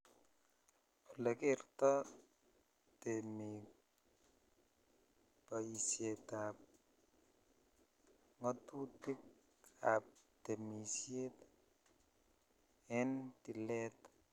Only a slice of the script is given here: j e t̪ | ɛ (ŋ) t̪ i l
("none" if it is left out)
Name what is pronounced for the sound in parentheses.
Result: n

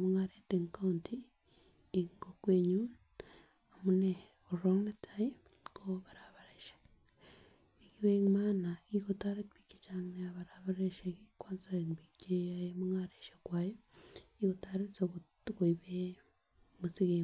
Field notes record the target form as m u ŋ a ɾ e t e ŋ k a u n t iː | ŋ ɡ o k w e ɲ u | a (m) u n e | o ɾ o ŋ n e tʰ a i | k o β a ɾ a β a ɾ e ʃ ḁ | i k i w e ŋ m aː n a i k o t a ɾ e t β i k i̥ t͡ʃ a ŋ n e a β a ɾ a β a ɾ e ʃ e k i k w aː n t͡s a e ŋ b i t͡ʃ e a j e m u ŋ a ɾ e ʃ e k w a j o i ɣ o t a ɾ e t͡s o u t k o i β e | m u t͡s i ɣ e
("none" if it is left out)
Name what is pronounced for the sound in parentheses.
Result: m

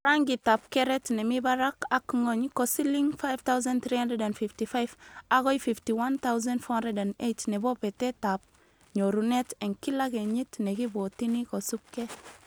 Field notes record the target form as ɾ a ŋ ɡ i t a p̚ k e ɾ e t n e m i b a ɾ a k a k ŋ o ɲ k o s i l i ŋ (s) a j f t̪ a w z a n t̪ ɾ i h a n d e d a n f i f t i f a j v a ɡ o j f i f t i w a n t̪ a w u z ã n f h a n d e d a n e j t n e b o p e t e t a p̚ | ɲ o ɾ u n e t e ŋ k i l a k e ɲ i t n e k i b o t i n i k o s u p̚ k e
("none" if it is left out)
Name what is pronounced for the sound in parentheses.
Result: f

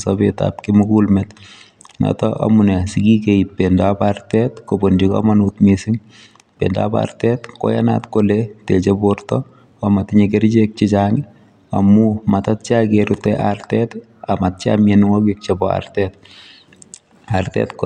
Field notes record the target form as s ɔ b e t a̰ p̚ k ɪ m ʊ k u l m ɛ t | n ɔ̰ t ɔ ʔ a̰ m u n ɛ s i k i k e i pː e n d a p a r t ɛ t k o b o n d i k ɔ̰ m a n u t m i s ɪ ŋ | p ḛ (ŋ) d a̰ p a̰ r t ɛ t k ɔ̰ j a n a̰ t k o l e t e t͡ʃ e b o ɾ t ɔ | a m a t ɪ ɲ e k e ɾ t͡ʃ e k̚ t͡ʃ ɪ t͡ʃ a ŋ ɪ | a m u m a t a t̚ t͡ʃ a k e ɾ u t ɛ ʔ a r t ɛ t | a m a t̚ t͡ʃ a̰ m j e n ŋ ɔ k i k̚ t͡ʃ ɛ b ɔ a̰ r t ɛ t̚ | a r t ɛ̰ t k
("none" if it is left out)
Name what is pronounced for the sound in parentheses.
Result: n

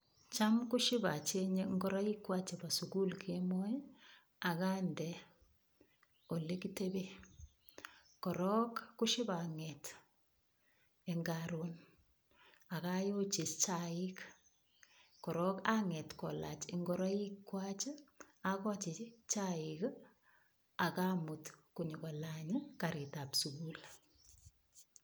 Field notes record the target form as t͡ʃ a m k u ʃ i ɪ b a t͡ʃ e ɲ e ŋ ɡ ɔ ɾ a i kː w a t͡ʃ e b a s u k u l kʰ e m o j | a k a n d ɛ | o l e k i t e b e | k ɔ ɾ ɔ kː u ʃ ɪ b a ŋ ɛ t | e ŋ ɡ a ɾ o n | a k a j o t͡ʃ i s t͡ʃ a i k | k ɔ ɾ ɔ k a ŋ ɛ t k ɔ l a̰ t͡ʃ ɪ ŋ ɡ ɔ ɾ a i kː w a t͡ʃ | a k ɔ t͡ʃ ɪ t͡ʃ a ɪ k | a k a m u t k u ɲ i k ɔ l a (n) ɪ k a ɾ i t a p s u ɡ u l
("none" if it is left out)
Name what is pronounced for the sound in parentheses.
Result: ɲ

